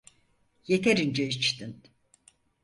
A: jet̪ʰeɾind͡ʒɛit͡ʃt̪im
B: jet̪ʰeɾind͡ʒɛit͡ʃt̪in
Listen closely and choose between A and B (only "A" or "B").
B